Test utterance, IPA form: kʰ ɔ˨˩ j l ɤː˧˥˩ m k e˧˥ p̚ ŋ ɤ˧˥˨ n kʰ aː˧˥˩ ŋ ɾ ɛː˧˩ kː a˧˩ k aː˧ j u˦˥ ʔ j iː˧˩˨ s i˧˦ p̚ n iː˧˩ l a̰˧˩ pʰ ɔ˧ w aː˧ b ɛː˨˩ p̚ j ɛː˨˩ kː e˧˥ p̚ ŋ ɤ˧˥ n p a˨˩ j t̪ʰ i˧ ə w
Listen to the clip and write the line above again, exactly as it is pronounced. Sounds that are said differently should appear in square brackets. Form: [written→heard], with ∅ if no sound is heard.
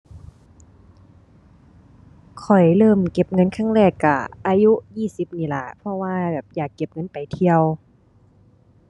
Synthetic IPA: kʰ ɔ˨˩ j l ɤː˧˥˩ m k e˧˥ p̚ ŋ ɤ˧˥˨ n kʰ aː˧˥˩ ŋ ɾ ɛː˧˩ kː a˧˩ [k→ʔ] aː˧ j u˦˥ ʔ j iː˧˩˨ s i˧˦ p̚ n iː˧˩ l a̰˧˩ pʰ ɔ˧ w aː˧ b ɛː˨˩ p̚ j [ɛː˨˩→aː˨˩] kː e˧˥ p̚ ŋ ɤ˧˥ n p a˨˩ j t̪ʰ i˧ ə w